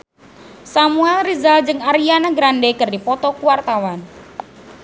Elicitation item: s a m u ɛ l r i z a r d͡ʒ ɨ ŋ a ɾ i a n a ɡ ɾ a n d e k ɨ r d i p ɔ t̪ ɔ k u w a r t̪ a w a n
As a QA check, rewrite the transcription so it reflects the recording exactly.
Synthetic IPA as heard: s a m u ɛ l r i z a l d͡ʒ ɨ ŋ a ɾ i a n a ɡ ɾ a n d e k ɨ r d i p ɔ t̪ ɔ k u w a r t̪ a w a n

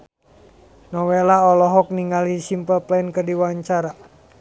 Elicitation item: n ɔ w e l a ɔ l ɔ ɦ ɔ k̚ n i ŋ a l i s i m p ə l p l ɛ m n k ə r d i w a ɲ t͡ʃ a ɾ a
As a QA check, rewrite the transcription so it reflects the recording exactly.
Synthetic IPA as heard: n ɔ w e l a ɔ l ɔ ɦ ɔ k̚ n i ŋ a l i s i m p ə l p l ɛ n k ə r d i w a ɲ t͡ʃ a ɾ a

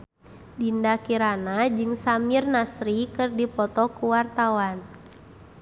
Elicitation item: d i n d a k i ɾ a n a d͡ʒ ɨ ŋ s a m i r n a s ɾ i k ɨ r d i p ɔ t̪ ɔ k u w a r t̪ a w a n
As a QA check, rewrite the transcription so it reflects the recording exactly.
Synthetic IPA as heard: d i n d a k i ɾ a n a d͡ʒ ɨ ŋ s a m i r n a s ɾ i k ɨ r d i p ɔ t̪ ɔ k u w a r t̪ a w a n

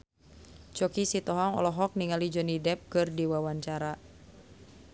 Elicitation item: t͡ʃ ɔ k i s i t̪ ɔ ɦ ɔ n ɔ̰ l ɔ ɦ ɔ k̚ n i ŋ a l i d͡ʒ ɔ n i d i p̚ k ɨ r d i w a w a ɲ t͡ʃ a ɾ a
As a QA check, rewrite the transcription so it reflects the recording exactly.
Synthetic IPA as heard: t͡ʃ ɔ k i s i t̪ ɔ ɦ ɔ ŋ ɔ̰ l ɔ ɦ ɔ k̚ n i ŋ a l i d͡ʒ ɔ n i d ɛ p̚ k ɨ r d i w a w a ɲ t͡ʃ a ɾ a

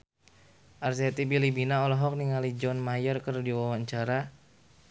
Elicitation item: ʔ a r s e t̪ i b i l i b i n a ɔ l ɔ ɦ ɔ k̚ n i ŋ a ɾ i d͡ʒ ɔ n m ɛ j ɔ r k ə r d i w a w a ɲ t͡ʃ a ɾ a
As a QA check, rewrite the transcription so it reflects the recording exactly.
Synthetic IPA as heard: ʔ a r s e t̪ i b i l i b i n a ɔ l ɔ ɦ ɔ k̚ n i ŋ a l i d͡ʒ ɔ n m a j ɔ r k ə r d i w a w a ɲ t͡ʃ a ɾ a

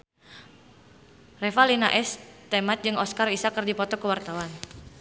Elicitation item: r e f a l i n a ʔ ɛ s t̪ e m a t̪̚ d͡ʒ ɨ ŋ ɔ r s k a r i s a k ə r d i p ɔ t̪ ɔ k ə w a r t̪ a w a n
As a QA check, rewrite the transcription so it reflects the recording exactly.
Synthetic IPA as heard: r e f a l i n a ʔ ɛ s t̪ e m a t̪̚ d͡ʒ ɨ ŋ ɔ s k a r i s a k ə r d i p ɔ t̪ ɔ k ə w a r t̪ a w a n

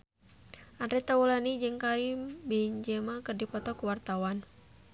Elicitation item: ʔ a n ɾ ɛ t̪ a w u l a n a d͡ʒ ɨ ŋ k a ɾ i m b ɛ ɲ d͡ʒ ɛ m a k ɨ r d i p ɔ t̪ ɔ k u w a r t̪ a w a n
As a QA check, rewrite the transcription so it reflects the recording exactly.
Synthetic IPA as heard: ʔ a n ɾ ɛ t̪ a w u l a n i d͡ʒ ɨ ŋ k a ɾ i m b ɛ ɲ d͡ʒ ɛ m a k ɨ r d i p ɔ t̪ ɔ k u w a r t̪ a w a n

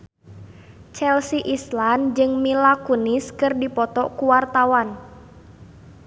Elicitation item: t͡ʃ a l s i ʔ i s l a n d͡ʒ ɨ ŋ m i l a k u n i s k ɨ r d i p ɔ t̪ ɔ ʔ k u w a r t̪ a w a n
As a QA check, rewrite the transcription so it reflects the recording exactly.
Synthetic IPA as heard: t͡ʃ ɛ l s i ʔ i s l a n d͡ʒ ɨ ŋ m i l a k u n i s k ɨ r d i p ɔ t̪ ɔ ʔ k u w a r t̪ a w a n

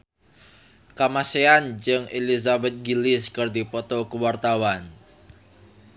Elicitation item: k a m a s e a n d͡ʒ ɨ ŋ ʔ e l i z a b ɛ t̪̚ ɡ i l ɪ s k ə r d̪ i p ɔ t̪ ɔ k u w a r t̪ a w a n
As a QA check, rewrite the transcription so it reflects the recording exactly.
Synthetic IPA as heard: k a m a s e a n d͡ʒ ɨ ŋ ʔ e l i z a b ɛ t̪̚ ɡ i l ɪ s k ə r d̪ i p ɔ t̪ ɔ k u w a r t̪ a w a n

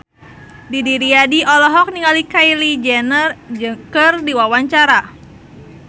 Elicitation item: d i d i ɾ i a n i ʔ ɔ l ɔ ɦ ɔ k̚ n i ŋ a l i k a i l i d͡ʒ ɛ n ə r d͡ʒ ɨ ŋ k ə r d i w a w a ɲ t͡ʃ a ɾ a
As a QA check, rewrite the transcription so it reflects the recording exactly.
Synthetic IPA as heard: d i d i ɾ i a d i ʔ ɔ l ɔ ɦ ɔ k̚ n i ŋ a l i k a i l i d͡ʒ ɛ n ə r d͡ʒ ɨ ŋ k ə r d i w a w a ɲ t͡ʃ a ɾ a

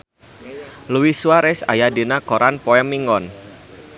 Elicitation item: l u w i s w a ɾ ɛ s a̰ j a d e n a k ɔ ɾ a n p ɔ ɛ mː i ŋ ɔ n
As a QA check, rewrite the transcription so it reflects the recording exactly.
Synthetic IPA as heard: l u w i s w a ɾ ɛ s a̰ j a d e n a k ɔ ɾ a n p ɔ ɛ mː i ŋ ɔ n

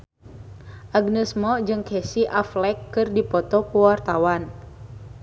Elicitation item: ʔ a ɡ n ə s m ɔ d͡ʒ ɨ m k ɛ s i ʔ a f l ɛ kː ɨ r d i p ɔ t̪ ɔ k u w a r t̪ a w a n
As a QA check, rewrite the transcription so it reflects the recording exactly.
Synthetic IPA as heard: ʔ a ɡ n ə s m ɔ d͡ʒ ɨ ŋ k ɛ s i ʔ a f l ɛ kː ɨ r d i p ɔ t̪ ɔ k u w a r t̪ a w a n

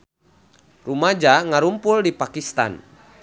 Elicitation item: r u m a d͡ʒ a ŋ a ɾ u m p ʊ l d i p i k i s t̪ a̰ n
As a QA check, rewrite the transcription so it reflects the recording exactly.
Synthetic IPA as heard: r u m a d͡ʒ a ŋ a ɾ u m p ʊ l d i p a k i s t̪ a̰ n

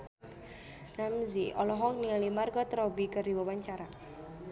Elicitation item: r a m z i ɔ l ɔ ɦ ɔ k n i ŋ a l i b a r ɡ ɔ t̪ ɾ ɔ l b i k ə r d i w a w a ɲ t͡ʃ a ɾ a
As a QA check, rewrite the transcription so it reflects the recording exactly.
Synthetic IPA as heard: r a m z i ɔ l ɔ ɦ ɔ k n i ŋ a l i m a r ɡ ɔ t̪ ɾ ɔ b i k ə r d i w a w a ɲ t͡ʃ a ɾ a

